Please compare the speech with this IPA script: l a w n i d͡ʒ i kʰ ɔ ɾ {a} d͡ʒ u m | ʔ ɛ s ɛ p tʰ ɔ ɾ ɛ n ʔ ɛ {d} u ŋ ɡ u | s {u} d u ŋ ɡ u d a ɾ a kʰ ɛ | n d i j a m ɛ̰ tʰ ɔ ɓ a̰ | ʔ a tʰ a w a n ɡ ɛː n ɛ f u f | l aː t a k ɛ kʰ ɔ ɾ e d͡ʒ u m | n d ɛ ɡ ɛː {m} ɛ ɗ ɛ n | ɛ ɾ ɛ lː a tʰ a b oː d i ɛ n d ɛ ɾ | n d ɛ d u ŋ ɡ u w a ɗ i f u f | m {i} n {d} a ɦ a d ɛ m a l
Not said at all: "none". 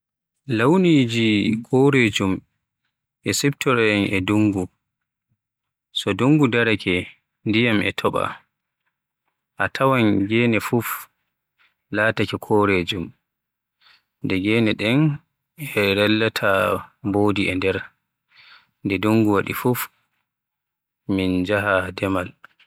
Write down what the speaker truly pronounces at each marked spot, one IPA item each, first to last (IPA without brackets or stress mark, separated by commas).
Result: e, d, ɔ, n, i, d͡ʒ